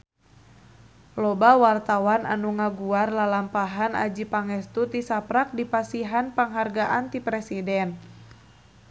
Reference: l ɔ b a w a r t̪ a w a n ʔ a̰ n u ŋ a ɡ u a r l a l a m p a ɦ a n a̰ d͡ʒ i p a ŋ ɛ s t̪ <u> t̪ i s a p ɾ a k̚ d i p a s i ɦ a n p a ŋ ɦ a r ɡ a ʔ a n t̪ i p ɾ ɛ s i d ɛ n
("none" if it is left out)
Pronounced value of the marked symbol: u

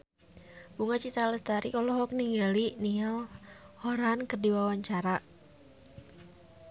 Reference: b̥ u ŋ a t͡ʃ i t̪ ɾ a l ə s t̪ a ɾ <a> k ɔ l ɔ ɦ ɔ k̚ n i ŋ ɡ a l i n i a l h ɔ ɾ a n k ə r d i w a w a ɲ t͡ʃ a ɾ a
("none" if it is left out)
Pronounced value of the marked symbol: i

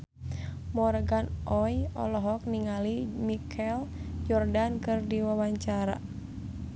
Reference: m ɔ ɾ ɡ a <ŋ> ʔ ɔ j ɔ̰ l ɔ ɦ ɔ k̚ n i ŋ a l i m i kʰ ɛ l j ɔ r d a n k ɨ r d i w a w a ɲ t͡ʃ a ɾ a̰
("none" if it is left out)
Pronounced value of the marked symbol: n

